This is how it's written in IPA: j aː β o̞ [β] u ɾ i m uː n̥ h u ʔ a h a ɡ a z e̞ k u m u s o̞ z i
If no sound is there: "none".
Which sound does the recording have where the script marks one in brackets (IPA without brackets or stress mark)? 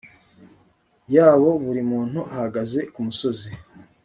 β